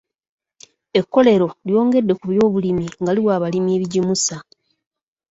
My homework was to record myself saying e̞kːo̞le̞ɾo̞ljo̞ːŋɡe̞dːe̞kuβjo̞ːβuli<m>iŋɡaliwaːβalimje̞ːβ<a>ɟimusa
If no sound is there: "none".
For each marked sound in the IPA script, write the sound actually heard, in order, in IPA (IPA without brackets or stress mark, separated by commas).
m, i